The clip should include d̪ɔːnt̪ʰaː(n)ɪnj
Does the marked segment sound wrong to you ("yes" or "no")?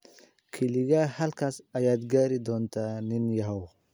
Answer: no